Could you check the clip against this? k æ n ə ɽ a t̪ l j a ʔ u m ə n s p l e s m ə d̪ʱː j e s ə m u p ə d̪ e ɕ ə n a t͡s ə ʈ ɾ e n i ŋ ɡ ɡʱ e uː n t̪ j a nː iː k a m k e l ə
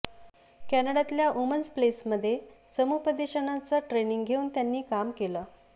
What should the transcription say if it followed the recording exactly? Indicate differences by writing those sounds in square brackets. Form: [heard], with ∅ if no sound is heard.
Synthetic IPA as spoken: k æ n ə ɽ a t̪ l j a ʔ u m ə n s p l e s m ə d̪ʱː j e s ə m u p ə d̪ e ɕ ə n a t͡s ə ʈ ɾ e n i ŋ ɡ ɡʱ e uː n t̪ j a nː iː k a m k e l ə